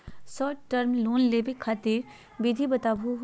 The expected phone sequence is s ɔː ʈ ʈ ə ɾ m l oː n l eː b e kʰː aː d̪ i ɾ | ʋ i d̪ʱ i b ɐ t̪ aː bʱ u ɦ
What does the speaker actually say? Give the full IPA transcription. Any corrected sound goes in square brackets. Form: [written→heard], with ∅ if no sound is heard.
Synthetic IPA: s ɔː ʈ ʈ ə ɾ m l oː n l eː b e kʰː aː [d̪→t̪] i ɾ | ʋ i d̪ʱ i b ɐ t̪ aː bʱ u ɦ